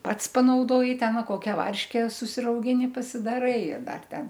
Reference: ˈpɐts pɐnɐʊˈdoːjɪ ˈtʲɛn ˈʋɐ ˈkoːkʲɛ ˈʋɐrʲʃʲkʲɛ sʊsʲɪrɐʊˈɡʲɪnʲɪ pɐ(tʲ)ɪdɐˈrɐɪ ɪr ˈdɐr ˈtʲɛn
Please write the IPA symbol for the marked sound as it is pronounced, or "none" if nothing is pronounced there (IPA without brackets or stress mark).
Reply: sʲ